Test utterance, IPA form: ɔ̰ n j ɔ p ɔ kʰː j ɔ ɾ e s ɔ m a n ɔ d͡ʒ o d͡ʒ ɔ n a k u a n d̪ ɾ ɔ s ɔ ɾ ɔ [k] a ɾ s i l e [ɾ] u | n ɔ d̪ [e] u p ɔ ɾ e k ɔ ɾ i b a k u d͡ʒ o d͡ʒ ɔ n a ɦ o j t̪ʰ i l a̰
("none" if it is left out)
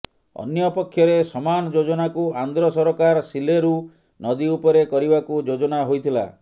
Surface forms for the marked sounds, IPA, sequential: k, ɾ, i

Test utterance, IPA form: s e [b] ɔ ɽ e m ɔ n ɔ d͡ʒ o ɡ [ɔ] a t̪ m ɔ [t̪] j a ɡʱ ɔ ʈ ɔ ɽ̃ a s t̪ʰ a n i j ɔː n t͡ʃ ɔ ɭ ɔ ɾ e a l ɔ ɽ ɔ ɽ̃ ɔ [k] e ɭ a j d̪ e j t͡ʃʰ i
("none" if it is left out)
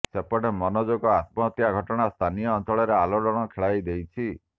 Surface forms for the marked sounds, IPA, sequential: p, ɔ, t̪, kʰ

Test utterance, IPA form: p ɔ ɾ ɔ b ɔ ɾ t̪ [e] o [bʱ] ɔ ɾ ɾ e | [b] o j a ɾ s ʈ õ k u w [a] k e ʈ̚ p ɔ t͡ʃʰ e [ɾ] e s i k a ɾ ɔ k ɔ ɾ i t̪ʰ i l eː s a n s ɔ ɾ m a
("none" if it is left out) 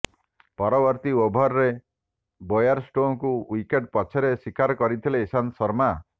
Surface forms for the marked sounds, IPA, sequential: i, bʱ, b, i, ɾ

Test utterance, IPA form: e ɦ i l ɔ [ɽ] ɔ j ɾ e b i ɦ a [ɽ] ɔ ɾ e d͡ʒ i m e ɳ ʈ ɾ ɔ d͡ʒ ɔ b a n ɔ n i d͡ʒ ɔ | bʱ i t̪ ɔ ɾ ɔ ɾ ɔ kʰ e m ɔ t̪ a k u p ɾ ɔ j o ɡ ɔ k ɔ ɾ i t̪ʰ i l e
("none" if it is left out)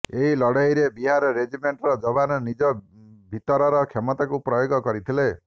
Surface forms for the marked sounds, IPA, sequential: ɽ, ɾ

